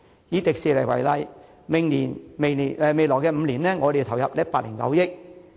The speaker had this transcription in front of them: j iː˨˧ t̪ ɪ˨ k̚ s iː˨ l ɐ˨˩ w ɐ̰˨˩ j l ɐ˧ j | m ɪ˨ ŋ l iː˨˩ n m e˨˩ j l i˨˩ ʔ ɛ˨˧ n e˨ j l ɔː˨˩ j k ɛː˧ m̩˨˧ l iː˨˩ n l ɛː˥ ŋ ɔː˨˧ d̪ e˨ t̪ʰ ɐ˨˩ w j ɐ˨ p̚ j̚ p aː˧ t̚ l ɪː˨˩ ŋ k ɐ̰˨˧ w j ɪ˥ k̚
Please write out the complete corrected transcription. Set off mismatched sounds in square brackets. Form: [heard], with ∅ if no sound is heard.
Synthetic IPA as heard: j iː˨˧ t̪ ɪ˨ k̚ s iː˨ l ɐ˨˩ w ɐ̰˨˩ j l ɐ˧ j | m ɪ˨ ŋ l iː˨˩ n m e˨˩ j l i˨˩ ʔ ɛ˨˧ [m] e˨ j l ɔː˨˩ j k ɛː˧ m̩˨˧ l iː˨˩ n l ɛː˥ ŋ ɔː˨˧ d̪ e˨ t̪ʰ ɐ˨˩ w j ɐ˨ p̚ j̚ p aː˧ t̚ l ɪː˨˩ ŋ k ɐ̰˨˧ w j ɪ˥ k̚